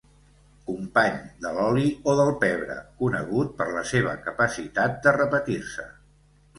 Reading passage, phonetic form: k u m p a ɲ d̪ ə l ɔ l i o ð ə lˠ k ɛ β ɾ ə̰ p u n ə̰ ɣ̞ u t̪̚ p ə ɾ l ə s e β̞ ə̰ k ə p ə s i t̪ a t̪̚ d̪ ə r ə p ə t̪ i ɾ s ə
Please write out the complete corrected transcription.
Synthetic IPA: k u m p a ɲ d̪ ə l ɔ l i o ð ə lˠ p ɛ β ɾ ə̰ k u n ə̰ ɣ̞ u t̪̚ p ə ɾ l ə s e β̞ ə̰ k ə p ə s i t̪ a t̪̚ d̪ ə r ə p ə t̪ i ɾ s ə